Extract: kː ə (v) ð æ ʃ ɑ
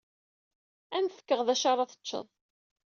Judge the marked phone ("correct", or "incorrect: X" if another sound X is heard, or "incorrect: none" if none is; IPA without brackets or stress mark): incorrect: ʁ